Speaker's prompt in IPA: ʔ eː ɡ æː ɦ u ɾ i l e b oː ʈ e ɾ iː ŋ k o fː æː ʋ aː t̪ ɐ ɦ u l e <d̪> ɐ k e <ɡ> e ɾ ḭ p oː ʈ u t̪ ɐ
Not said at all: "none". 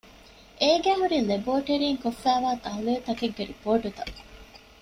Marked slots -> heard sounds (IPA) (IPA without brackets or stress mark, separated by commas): t̪, ɡː